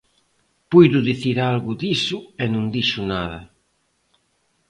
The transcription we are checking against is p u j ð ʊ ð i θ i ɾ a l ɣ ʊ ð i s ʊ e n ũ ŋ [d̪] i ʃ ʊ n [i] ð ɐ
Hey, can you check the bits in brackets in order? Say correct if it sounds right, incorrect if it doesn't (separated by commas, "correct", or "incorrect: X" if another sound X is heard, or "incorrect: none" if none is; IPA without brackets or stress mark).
correct, incorrect: a